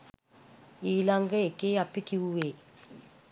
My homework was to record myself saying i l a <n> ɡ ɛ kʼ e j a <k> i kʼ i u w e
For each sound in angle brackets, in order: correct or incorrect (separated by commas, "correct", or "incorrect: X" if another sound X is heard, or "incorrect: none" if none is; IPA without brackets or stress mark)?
incorrect: ŋ, incorrect: p